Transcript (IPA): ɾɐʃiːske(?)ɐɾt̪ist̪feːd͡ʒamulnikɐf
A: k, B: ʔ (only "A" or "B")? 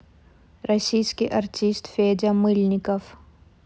B